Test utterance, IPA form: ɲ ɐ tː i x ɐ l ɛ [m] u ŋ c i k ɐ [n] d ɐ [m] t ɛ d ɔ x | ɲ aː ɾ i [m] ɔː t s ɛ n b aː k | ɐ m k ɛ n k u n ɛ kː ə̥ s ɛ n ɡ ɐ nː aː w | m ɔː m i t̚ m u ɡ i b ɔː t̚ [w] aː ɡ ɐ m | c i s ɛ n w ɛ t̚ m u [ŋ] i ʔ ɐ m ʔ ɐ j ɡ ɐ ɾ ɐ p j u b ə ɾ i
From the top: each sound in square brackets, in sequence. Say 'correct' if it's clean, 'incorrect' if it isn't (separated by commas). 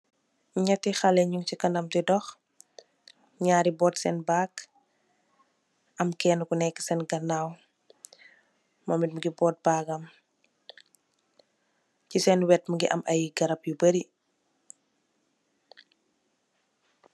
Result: incorrect, correct, correct, incorrect, incorrect, incorrect